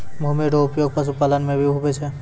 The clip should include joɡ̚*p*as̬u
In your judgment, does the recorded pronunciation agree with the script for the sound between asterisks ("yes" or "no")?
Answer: yes